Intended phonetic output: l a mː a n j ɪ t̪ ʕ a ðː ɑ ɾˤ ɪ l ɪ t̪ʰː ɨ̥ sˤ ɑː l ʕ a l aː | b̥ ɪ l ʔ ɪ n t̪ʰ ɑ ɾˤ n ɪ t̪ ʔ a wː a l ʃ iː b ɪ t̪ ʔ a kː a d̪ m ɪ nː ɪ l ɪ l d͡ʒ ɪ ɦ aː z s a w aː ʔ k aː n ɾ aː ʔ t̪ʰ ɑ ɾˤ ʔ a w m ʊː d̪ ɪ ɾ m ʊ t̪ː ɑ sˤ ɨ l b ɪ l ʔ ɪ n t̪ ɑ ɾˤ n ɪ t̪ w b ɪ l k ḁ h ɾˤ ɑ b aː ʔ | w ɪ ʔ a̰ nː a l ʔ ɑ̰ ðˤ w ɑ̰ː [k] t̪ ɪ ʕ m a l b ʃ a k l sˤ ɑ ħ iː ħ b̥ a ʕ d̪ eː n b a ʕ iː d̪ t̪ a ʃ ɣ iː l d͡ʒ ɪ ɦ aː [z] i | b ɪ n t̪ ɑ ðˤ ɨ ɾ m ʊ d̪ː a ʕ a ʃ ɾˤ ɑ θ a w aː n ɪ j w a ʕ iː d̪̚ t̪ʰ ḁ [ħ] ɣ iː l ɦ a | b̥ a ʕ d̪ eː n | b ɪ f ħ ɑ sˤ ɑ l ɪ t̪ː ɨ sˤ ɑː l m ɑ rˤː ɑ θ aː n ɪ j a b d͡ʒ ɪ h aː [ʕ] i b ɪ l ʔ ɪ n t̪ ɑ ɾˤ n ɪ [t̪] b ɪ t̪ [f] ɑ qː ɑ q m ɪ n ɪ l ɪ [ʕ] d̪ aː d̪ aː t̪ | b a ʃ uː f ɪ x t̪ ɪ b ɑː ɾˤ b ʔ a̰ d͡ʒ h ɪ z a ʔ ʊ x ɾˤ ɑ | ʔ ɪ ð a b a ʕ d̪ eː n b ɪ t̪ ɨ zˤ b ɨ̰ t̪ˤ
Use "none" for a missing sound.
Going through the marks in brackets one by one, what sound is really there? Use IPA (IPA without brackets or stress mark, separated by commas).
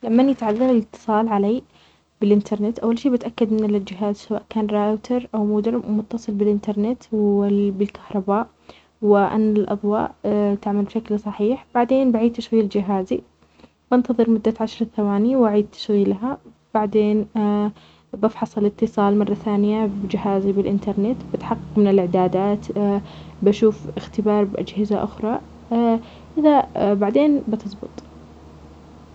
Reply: ʔ, z, ʃ, z, t̪, ħ, ʕ